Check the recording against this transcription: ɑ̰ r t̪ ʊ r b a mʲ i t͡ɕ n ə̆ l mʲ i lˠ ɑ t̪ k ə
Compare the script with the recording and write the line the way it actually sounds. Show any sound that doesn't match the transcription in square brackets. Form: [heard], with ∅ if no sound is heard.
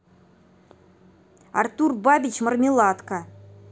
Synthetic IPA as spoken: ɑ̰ r t̪ [u] r b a [bʲ] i t͡ɕ [m] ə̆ [r] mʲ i lˠ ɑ t̪ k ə